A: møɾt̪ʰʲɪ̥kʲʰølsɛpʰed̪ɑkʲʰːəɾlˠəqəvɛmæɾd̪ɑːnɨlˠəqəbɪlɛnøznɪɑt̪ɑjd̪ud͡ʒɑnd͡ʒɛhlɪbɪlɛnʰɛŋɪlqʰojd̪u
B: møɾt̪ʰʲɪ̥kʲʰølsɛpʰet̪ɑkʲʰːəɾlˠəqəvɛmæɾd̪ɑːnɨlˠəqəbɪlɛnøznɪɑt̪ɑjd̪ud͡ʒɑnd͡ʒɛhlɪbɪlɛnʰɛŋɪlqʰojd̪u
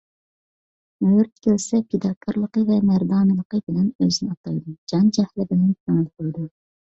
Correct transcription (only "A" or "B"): A